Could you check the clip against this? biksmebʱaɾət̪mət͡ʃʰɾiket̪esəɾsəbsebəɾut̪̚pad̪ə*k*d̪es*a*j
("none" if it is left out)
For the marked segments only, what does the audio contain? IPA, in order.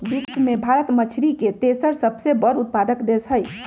k, ə

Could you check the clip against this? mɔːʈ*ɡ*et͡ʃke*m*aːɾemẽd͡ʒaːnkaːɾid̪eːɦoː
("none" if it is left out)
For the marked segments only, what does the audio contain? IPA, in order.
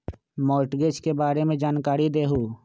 ɡ, b

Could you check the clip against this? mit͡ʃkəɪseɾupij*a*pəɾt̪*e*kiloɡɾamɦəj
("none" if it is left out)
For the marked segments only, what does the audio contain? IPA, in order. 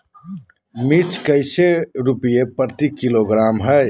e, i

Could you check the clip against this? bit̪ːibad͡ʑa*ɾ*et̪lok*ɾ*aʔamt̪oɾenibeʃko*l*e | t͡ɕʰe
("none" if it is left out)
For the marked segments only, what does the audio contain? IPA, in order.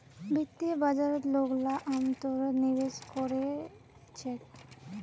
ɾ, l, ɾ

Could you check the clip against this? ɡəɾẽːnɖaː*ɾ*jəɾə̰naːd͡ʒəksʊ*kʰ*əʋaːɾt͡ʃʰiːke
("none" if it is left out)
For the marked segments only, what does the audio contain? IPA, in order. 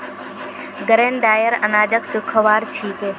none, kʰ

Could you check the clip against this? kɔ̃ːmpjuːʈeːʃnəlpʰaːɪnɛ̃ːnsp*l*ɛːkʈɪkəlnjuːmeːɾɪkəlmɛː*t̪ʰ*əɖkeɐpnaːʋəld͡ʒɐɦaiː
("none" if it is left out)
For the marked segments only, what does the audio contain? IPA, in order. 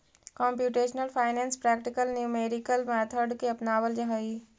ɾ, t̪ʰ

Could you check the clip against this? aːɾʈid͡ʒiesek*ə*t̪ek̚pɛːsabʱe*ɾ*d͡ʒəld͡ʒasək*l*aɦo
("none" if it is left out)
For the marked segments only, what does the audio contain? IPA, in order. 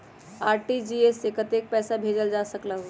ə, none, l

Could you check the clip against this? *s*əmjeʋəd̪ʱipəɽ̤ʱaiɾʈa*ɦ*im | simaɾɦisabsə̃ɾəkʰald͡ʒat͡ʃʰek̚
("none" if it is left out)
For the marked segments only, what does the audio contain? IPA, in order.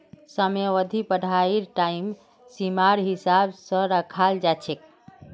s, none

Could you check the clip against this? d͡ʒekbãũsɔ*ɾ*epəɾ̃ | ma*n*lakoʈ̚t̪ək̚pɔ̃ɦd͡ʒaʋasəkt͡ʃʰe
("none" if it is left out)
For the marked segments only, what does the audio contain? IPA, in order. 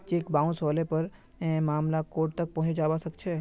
l, m

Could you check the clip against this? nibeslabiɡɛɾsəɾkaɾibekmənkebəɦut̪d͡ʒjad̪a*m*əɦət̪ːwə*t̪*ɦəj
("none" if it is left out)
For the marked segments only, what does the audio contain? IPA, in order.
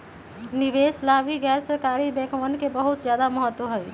m, none

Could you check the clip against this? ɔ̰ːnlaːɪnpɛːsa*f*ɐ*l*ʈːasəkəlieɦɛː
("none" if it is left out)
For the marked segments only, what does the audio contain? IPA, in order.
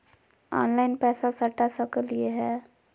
s, none

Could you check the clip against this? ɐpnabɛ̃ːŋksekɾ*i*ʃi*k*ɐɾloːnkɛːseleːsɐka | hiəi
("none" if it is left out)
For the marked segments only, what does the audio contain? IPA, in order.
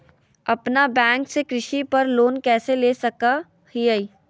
ɪ, p

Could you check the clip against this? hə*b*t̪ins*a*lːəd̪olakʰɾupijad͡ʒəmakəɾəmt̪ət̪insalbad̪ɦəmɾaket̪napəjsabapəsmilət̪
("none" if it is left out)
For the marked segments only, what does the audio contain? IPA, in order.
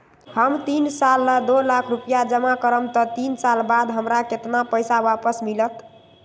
m, a

